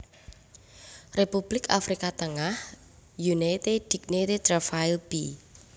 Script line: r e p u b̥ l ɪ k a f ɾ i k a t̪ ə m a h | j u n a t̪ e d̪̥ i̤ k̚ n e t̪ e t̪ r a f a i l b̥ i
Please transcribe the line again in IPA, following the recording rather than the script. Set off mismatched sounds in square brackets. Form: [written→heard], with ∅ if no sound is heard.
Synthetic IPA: r e p u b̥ l ɪ k a f ɾ i k a t̪ ə [m→ŋ] a h | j u n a t̪ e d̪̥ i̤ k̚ n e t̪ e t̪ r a f a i l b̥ i